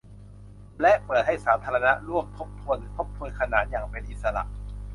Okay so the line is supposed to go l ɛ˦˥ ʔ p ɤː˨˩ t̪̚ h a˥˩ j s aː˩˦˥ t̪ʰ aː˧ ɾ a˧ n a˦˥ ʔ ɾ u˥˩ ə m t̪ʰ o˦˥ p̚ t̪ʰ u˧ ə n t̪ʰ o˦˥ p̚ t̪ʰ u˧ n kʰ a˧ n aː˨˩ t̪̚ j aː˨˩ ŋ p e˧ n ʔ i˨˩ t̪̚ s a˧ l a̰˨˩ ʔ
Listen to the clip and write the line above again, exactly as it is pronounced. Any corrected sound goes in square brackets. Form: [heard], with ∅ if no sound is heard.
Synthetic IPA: l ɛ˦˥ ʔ p ɤː˨˩ t̪̚ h a˥˩ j s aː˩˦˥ t̪ʰ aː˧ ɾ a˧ n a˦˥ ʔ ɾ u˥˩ ə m t̪ʰ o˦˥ p̚ t̪ʰ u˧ ə n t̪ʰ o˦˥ p̚ t̪ʰ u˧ n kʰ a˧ n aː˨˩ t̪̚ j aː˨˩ ŋ p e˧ n ʔ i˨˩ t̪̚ s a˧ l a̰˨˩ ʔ

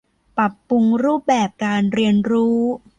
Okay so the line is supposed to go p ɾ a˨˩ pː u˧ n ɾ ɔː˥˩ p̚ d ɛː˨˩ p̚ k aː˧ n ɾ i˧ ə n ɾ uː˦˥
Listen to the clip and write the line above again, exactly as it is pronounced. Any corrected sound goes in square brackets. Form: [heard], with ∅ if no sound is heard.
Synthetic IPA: p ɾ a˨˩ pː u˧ [ŋ] ɾ [uː˥˩] p̚ [b] ɛː˨˩ p̚ k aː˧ n ɾ i˧ ə n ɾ uː˦˥

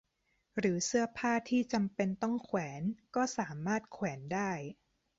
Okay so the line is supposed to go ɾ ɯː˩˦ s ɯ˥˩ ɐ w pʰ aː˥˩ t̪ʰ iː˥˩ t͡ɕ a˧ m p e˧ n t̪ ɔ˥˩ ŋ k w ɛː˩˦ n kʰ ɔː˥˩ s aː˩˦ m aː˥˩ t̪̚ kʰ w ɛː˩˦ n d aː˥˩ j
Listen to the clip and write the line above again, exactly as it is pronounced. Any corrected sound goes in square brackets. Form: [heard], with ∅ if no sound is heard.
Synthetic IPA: ɾ ɯː˩˦ s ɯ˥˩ ɐ [∅] pʰ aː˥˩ t̪ʰ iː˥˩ t͡ɕ a˧ m p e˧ n t̪ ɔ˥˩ ŋ [kʰ] w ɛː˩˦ n [k] ɔː˥˩ s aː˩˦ m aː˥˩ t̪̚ kʰ w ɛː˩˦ n d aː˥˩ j

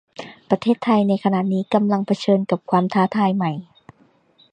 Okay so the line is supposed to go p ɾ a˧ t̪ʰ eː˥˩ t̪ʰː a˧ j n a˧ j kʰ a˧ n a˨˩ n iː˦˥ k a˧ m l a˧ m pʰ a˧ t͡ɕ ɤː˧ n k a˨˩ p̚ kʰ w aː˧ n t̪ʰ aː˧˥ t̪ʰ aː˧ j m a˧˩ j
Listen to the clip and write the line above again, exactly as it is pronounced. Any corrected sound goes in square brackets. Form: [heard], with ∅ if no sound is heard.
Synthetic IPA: p ɾ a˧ t̪ʰ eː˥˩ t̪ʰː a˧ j n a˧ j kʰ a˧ n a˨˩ n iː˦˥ k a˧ m l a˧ [ŋ] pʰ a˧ [t͡ɕʰ] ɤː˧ n k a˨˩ p̚ kʰ w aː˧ [m] t̪ʰ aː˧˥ t̪ʰ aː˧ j m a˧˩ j

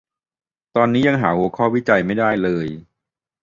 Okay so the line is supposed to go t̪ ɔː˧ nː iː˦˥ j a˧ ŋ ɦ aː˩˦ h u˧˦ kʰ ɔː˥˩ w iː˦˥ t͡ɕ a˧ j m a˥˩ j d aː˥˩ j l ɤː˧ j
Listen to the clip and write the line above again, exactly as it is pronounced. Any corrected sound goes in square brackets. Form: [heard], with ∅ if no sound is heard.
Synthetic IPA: t̪ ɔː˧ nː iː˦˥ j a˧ ŋ ɦ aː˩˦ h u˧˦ kʰ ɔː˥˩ w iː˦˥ t͡ɕ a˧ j m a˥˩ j d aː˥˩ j l ɤː˧ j

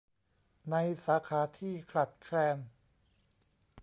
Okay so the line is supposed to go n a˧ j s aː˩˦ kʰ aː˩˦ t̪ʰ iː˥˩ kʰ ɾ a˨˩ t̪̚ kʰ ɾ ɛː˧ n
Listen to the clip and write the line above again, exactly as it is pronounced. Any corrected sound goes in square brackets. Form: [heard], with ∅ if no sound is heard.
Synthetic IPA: n a˧ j s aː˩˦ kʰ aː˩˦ t̪ʰ iː˥˩ kʰ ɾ a˨˩ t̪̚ kʰ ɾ ɛː˧ n

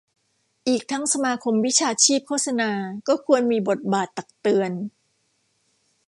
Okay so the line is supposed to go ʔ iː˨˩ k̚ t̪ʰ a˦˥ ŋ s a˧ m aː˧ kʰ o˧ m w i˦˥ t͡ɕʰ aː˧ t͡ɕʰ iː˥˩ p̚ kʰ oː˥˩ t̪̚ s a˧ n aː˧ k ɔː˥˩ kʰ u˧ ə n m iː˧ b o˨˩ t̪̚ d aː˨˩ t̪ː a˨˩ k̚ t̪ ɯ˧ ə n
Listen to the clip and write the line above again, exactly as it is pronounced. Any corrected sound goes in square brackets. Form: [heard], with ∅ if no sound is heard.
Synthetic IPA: ʔ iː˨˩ k̚ t̪ʰ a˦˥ ŋ s a˧ m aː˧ kʰ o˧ m w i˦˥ t͡ɕʰ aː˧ t͡ɕʰ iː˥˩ p̚ kʰ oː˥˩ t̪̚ s a˧ n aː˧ k ɔː˥˩ kʰ u˧ ə n m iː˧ b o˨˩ t̪̚ [b] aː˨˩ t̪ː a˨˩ k̚ t̪ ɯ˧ ə n

